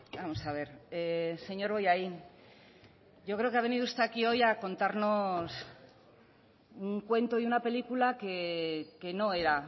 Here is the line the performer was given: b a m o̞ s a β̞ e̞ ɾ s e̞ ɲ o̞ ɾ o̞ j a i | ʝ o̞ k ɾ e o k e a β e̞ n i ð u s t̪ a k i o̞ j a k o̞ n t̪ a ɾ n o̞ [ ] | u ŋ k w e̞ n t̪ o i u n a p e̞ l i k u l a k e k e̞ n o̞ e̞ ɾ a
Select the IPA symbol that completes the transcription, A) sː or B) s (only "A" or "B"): B